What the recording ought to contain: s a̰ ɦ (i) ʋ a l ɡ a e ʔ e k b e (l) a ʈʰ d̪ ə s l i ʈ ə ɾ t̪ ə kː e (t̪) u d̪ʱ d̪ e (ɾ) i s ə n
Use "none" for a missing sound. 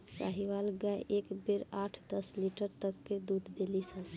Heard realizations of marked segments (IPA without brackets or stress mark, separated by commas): i, ɾ, d̪, l